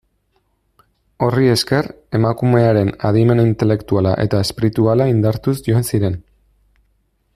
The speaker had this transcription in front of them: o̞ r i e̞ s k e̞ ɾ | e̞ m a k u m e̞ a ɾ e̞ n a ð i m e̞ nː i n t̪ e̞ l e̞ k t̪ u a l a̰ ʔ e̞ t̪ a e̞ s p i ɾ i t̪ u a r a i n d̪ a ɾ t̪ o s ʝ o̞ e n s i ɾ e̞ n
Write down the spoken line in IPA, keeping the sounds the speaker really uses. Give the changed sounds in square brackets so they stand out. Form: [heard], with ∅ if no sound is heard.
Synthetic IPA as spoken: o̞ r i e̞ s k e̞ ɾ | e̞ m a k u m e̞ a ɾ e̞ n a ð i m e̞ [n] i n t̪ e̞ l e̞ k t̪ u a l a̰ ʔ e̞ t̪ a e̞ s p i ɾ i t̪ u a [l] a i n d̪ a ɾ t̪ [u] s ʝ o̞ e n s i ɾ e̞ n